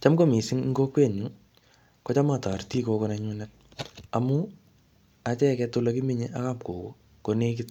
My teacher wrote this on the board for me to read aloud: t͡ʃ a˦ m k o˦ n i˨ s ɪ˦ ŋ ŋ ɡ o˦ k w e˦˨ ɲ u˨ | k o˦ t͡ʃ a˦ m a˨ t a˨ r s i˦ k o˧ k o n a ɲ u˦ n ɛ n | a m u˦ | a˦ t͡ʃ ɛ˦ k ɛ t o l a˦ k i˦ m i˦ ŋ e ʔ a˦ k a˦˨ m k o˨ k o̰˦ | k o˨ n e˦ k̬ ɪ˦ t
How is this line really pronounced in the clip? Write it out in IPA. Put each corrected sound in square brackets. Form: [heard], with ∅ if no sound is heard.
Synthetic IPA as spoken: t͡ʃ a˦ m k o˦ [m] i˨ s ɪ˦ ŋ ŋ ɡ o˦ k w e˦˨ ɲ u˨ | k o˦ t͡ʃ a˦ m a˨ t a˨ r [t] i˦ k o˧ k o n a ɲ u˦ n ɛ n | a m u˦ | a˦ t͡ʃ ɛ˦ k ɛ t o l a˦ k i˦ m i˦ [ɲ] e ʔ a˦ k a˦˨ m k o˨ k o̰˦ | k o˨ n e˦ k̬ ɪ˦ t

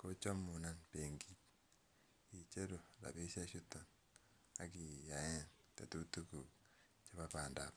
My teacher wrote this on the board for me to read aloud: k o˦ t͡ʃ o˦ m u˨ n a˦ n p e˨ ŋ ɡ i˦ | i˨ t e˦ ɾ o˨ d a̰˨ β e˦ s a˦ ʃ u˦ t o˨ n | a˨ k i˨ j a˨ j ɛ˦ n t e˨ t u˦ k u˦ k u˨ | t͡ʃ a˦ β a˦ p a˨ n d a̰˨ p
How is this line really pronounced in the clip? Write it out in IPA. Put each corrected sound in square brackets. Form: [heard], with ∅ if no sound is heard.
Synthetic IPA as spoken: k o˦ t͡ʃ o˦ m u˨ n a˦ n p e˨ ŋ ɡ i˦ | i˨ [t͡ʃ] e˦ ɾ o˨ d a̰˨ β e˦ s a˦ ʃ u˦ t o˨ n | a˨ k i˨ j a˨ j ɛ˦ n t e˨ t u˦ [t] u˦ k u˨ | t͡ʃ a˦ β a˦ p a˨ n d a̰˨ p

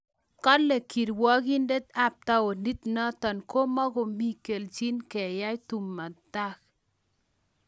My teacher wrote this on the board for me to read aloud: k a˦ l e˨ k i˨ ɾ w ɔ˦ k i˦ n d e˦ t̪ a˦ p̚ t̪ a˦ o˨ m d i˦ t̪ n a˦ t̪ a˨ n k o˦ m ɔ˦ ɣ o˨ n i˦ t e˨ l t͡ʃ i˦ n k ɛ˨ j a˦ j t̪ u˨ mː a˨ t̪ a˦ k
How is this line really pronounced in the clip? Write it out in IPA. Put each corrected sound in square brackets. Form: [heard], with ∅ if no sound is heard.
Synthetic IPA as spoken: k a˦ l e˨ k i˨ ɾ w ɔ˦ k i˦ n d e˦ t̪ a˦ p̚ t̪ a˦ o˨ [n] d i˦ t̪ n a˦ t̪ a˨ n k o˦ m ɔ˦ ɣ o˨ [m] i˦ [k] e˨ l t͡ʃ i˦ n k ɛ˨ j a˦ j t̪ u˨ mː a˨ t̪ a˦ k

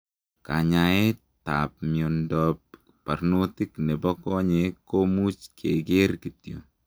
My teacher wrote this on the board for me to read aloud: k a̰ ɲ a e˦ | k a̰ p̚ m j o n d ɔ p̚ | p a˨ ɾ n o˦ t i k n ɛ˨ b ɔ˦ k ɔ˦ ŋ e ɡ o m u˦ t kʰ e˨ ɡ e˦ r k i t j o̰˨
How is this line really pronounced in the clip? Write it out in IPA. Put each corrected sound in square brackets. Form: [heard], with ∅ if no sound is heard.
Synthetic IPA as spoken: k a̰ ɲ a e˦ | [t] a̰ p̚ m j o n d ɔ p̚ | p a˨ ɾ n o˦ t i k n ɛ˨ b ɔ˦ k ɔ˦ [ɲ] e [k] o m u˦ [t͡ʃ] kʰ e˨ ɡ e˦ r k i t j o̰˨

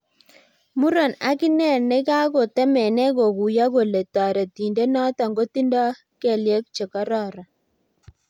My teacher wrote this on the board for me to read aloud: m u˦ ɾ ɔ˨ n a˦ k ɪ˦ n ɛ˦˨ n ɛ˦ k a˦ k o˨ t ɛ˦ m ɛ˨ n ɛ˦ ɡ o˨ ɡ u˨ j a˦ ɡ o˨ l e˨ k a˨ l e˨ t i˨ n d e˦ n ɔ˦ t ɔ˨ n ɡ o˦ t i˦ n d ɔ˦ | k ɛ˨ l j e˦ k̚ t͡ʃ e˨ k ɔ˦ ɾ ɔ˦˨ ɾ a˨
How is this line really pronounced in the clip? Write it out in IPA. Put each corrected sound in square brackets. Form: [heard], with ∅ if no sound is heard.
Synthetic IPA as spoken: m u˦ ɾ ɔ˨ n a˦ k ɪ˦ n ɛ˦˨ n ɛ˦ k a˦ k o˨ t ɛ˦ m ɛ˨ n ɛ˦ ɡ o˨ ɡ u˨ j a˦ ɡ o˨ l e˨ [t] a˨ [ɾ] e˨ t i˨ n d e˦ n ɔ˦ t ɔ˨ [ŋ] ɡ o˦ t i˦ n d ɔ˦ | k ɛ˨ l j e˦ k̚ t͡ʃ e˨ k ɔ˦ ɾ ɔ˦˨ ɾ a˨

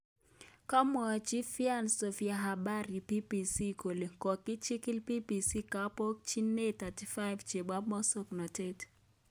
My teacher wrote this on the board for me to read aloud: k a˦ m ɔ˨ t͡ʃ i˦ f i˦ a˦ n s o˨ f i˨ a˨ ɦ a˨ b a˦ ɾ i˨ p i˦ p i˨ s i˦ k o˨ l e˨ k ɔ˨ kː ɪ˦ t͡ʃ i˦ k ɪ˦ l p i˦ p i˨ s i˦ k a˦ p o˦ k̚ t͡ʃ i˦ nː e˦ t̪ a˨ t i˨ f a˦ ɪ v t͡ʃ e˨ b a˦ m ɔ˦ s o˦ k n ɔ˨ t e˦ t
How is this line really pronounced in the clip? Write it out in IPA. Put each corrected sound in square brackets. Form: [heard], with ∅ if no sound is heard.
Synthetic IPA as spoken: k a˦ m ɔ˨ t͡ʃ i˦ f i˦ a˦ n s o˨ f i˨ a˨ ɦ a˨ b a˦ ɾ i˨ p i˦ p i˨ s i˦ k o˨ l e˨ k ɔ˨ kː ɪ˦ t͡ʃ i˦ k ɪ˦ l p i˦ p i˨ s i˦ k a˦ p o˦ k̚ t͡ʃ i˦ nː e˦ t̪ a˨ t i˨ f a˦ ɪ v t͡ʃ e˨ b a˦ m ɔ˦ s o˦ k n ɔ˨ t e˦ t

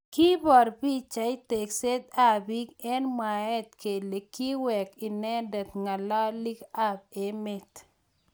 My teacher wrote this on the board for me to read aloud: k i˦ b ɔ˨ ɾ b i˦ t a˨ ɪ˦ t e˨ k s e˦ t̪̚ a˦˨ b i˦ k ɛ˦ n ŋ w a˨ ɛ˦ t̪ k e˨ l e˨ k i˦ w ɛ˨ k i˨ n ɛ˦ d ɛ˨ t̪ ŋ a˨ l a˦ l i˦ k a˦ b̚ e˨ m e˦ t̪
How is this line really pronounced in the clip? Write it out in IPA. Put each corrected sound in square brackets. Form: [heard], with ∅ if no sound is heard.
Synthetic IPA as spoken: k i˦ b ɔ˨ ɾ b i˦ [t͡ʃ] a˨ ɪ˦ t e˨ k s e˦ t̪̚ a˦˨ b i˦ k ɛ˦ n [m] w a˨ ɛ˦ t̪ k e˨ l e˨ k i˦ w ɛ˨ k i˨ n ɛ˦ d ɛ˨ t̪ ŋ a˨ l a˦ l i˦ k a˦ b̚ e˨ m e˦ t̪

